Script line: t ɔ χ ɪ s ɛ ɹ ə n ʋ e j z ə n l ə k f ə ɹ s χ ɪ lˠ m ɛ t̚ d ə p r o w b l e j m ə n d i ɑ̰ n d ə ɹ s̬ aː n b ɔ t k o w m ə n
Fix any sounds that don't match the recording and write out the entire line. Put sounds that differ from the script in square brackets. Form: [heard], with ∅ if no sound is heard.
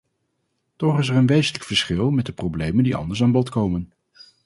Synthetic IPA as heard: t ɔ χ ɪ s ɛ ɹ ə n ʋ e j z ə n l ə k f ə ɹ s χ ɪ lˠ m ɛ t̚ d ə p r o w b l e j m ə n d i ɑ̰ n d ə ɹ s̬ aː n b ɔ t k o w m ə n